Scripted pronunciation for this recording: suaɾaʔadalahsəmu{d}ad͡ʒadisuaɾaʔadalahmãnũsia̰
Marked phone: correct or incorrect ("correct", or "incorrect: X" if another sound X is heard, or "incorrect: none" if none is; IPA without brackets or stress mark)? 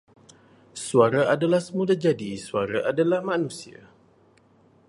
correct